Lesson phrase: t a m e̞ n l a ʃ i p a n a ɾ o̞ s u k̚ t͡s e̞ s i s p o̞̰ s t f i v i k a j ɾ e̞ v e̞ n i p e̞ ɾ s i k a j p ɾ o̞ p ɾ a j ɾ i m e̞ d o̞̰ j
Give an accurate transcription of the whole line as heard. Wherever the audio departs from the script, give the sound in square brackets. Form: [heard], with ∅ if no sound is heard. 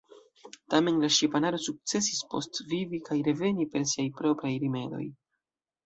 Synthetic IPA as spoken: t a m e̞ n l a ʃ i p a n a ɾ o̞ s u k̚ t͡s e̞ s i s p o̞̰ s t [v] i v i k a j ɾ e̞ v e̞ n i p e̞ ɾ s i [∅] a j p ɾ o̞ p ɾ a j ɾ i m e̞ d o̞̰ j